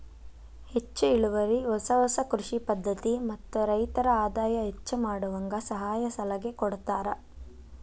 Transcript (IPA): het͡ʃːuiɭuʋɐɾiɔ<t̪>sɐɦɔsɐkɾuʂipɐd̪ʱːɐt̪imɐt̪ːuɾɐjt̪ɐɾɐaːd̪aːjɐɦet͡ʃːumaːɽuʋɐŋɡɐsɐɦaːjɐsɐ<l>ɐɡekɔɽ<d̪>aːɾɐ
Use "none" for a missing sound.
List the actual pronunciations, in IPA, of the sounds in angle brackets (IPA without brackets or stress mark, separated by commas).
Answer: none, l, t̪